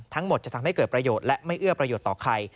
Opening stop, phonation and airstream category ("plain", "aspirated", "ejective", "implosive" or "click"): aspirated